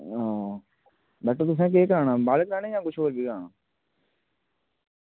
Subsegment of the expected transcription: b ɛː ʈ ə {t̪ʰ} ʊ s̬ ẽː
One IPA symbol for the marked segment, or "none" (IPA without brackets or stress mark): t̪